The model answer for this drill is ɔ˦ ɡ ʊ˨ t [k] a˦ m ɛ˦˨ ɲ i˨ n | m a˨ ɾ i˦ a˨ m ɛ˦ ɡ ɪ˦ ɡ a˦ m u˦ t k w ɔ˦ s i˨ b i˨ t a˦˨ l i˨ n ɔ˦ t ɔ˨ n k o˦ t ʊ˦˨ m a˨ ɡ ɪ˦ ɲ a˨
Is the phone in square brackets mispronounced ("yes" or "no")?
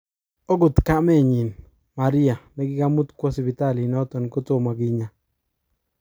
no